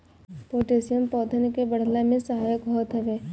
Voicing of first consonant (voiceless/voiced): voiceless